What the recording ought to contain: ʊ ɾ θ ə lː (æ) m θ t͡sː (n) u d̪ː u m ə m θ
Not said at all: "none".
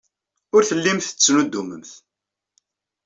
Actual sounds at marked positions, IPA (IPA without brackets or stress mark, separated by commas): i, n